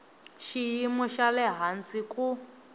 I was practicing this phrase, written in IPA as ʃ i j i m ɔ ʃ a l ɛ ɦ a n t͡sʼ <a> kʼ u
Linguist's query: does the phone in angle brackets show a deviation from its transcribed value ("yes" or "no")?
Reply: yes